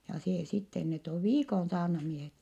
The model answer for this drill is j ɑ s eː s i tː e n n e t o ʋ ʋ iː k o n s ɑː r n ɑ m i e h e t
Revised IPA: j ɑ s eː s i tː e n n e t o ʋ ʋ iː k o n s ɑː r n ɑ m i e h e t

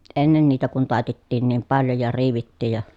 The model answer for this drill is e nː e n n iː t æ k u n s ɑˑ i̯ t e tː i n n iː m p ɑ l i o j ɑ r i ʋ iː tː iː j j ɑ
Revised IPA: e nː e n n iː t æ k u n t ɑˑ i̯ t e tː iː n n iː m p ɑ l j o j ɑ r iː ʋ i tː iː j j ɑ

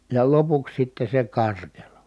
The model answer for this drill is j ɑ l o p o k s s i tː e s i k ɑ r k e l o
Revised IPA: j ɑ l o p u k s s i tː e s e k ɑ r k e l o

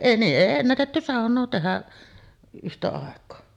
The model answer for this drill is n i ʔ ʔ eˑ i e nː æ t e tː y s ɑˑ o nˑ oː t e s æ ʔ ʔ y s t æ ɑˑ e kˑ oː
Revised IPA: n iː ʔ ʔ eˑ i e nː æ t e tː y s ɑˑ o nˑ oː t e h æ ʔ ʔ y h t æ ɑˑ e kˑ oː

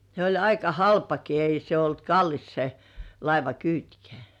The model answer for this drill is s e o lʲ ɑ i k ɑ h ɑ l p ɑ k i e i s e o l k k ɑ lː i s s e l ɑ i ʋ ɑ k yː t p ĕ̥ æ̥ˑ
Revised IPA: s e o lʲ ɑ i k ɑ h ɑ l p ɑ k i e i s e o l t k ɑ lː i s s e l ɑ i ʋ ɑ k yː t k ĕ̥ æ̥ˑ

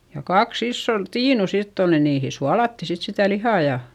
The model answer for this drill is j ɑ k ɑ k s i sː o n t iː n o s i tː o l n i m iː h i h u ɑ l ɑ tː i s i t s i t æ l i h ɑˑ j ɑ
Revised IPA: j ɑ k ɑ k s i sː o n t iː n u s i tː o l n i n iː h i s u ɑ l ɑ tː i s i t s i t æ l i h ɑˑ j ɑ

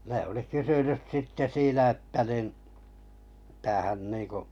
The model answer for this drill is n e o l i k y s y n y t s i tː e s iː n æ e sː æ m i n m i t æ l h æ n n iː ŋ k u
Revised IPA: n e o l i k y s y n y s s i tː e s iː n æ e tː æ n i n m i t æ h æ n n iː ŋ k u

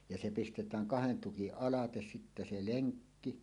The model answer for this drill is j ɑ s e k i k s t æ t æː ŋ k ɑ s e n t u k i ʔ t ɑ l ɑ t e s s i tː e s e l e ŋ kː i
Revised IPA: j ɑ s e p i s t e t æː ŋ k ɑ h e n t u k i ʔ ʔ ɑ l ɑ t e s s i tː æ s e l e ŋ kː i

